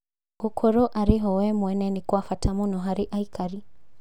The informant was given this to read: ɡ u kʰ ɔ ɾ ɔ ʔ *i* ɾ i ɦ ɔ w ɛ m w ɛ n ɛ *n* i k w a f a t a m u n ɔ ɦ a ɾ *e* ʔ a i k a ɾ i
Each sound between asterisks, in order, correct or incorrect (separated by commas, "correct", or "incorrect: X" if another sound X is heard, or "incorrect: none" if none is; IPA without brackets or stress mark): incorrect: a, correct, incorrect: i